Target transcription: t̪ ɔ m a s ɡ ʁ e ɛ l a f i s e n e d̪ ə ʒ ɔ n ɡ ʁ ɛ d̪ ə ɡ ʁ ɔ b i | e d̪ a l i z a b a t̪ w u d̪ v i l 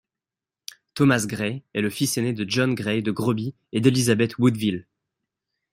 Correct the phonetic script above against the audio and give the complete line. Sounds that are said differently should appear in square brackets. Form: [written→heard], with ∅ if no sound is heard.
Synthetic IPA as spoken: t̪ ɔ m a s ɡ ʁ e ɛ l [a→ə] f i s e n e d̪ ə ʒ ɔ n ɡ ʁ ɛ d̪ ə ɡ ʁ ɔ b i | e d̪ [a→e] l i z a b [a→ɛ] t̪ w u d̪ v i l